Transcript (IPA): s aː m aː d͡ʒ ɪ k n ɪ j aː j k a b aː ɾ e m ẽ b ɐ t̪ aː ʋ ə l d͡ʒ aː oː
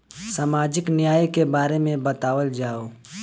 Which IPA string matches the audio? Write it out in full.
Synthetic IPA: s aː m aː d͡ʒ ɪ k n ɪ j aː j k e b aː ɾ e m ẽ b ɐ t̪ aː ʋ ə l d͡ʒ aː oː